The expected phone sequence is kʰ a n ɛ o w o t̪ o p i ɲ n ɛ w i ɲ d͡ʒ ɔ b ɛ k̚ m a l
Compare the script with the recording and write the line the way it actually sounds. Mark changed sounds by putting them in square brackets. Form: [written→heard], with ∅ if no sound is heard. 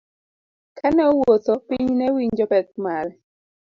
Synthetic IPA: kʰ a n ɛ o w o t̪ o p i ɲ n ɛ w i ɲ d͡ʒ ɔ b ɛ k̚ m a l